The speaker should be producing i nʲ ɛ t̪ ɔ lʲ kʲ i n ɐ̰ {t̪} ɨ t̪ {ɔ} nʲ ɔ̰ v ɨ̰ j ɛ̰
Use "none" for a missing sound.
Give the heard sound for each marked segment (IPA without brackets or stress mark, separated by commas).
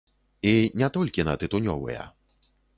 t̪, u